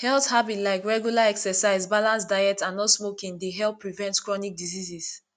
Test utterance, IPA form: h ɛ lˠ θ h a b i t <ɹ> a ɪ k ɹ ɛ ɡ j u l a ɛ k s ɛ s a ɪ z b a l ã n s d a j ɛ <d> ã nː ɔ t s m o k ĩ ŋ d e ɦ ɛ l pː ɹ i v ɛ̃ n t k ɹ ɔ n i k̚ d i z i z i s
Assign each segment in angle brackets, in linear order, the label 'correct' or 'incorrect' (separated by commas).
incorrect, incorrect